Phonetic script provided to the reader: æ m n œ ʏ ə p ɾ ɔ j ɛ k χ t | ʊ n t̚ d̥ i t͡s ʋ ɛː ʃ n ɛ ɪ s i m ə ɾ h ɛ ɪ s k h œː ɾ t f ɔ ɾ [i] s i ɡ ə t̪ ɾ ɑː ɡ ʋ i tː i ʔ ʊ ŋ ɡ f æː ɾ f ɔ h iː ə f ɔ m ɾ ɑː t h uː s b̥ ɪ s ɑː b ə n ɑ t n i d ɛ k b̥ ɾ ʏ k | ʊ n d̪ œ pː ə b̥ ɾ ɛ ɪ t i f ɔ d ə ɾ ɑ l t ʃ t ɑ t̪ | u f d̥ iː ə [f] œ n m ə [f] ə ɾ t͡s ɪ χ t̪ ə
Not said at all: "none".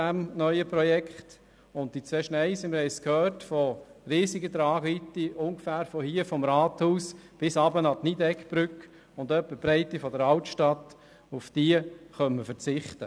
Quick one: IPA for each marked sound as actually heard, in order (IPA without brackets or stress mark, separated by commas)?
iː, χ, f